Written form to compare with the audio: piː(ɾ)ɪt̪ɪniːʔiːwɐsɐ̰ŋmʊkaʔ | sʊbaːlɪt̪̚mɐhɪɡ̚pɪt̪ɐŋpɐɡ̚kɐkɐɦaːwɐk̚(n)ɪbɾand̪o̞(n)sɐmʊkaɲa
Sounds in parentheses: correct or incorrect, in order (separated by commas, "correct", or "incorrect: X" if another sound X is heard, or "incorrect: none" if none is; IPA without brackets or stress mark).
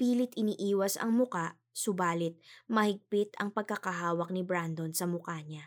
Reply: incorrect: l, correct, correct